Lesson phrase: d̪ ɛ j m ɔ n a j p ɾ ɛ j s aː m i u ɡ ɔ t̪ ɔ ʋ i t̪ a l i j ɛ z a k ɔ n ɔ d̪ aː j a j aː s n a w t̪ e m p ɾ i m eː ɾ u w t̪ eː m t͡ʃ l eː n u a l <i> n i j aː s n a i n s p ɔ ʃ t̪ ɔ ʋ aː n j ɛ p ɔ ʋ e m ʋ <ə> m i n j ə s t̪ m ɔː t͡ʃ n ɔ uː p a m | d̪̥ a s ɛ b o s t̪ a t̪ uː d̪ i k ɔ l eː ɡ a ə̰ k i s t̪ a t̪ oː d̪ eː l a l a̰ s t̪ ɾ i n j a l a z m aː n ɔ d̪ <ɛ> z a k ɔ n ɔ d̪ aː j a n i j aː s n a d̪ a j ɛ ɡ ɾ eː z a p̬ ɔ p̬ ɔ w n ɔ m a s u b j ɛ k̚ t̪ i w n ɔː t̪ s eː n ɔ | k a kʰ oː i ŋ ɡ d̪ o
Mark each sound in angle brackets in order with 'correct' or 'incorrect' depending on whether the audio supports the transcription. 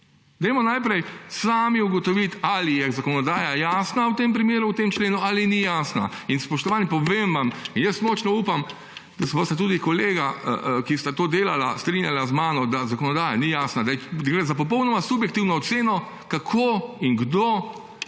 correct, incorrect: a, incorrect: a

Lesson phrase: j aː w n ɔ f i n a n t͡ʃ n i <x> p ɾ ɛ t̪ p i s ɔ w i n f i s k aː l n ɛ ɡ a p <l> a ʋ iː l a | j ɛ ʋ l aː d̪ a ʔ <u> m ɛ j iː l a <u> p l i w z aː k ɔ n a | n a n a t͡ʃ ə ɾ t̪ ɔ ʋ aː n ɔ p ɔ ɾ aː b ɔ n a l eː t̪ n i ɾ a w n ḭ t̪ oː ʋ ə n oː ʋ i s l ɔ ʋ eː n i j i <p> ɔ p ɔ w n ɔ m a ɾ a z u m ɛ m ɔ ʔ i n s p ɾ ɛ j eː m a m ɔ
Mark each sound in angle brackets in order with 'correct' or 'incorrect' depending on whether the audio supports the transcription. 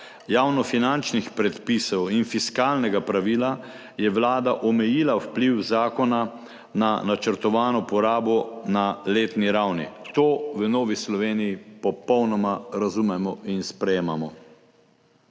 correct, incorrect: ɾ, incorrect: ɔ, incorrect: w, correct

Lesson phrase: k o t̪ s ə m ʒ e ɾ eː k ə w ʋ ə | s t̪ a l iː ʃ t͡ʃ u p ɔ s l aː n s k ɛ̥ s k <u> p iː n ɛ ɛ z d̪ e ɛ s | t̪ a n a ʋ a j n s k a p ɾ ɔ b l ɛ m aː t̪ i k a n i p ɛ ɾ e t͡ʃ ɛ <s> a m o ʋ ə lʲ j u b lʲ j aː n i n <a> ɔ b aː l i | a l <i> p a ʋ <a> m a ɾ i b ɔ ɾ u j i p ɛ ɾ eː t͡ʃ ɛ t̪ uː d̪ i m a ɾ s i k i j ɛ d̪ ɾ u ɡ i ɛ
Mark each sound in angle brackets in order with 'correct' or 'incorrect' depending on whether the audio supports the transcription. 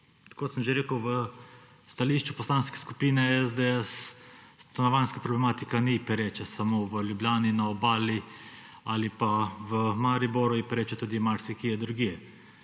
correct, correct, correct, correct, incorrect: ə

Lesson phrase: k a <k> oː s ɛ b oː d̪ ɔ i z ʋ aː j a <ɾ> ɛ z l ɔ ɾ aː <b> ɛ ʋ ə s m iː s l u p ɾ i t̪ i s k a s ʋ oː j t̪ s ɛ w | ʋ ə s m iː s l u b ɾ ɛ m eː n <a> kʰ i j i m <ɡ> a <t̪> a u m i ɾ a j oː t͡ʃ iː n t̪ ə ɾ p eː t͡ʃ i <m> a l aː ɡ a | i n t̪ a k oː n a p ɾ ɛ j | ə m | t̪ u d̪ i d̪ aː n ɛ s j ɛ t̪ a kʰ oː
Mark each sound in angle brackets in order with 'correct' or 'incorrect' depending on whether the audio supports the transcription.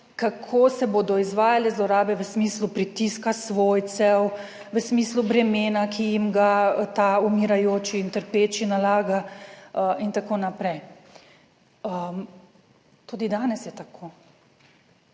incorrect: kʰ, incorrect: l, correct, correct, correct, correct, incorrect: n

